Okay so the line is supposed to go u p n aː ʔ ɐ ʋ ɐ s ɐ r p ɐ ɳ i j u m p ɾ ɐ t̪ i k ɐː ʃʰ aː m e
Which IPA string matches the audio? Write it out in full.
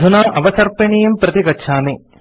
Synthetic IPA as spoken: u n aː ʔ ɐ ʋ ɐ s ɐ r p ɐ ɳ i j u m p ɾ ɐ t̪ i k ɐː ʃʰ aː m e